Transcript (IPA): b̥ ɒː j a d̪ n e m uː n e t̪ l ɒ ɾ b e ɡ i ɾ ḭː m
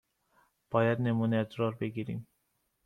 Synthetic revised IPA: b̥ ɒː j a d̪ n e m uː n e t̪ ɾ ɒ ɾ b e ɡ i ɾ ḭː m